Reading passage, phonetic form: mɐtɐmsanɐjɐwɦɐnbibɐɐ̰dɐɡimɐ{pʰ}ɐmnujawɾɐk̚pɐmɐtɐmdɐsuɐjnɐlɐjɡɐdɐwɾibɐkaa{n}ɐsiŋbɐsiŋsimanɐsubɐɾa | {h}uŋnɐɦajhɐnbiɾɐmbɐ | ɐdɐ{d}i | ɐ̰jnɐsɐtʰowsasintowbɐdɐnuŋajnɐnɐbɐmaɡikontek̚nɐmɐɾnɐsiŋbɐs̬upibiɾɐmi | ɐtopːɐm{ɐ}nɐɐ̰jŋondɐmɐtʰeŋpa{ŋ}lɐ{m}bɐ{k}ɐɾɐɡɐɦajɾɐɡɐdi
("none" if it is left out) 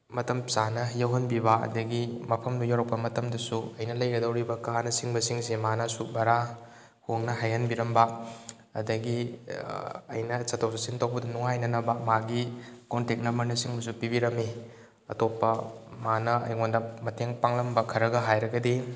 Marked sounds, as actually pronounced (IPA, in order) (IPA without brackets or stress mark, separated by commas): pʰ, n, h, ɡ, a, ŋ, m, kʰ